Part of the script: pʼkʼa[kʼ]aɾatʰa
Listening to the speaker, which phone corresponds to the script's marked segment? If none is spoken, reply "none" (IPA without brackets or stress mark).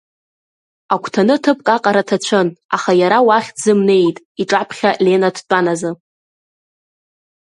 qʼ